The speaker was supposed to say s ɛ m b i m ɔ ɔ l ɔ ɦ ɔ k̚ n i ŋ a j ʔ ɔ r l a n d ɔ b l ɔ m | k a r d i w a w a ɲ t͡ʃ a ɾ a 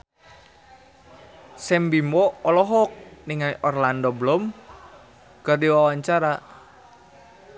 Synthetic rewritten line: s ɛ m b i m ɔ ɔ l ɔ ɦ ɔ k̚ n i ŋ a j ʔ ɔ r l a n d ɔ b l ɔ m | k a r d i w a w a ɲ t͡ʃ a ɾ a